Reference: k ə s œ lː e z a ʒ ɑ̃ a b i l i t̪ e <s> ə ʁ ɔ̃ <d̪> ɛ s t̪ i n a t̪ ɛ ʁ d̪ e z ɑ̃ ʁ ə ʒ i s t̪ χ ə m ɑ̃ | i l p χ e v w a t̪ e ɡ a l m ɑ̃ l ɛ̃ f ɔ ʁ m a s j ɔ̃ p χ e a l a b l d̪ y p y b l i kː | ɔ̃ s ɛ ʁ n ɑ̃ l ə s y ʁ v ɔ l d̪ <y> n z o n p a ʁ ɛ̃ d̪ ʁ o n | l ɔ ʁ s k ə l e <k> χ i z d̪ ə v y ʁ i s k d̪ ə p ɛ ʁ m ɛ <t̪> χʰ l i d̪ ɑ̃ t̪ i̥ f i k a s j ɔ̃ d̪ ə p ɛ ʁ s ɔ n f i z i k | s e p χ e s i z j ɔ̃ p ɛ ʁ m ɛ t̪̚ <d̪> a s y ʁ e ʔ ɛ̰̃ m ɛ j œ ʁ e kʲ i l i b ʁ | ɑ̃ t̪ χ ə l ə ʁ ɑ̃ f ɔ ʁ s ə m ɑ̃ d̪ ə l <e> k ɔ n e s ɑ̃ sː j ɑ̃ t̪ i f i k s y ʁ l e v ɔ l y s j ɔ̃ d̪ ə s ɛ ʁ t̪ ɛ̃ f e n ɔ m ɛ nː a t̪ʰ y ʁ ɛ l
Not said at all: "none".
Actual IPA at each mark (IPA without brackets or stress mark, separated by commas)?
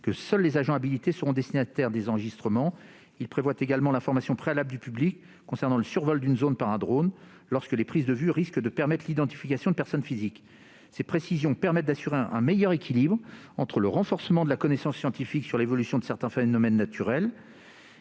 s, d̪, y, p, t̪, d̪, a